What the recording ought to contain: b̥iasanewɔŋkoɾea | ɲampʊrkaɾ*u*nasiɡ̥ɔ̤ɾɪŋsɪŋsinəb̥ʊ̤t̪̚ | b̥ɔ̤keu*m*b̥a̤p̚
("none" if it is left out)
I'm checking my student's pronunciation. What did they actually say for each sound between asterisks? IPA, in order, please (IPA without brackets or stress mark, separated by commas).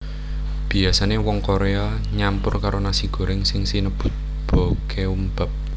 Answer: o, m